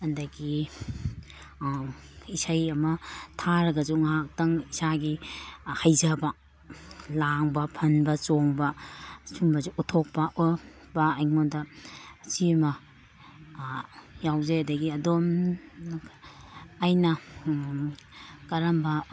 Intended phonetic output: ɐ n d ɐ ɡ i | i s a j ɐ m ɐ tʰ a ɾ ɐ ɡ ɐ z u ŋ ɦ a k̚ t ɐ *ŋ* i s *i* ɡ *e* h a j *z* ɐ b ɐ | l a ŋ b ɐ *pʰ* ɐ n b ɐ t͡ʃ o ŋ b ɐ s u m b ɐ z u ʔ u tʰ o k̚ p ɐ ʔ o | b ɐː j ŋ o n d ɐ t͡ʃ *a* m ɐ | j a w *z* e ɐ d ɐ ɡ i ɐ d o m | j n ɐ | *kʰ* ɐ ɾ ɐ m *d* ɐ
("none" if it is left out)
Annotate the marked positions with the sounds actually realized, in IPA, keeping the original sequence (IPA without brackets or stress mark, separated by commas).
ŋ, a, i, z, pʰ, i, z, k, b